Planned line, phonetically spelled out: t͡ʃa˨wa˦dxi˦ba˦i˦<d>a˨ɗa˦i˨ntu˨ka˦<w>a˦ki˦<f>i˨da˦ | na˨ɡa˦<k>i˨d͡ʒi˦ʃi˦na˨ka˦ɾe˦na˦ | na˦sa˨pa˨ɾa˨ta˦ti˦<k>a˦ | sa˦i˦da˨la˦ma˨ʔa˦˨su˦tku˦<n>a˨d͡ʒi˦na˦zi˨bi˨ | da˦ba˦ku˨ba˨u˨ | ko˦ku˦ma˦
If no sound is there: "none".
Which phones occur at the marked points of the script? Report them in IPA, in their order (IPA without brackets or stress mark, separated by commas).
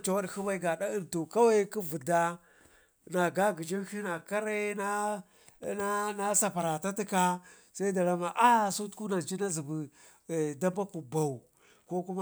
ɡ, w, v, ɡ, k, n